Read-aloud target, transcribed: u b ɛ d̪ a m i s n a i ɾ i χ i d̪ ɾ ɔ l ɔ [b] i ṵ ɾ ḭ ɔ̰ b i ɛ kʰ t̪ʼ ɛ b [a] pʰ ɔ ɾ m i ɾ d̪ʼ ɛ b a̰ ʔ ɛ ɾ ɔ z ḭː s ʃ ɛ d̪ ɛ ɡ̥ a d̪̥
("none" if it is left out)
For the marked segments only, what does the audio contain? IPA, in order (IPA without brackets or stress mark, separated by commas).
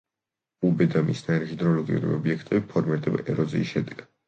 ɡ, i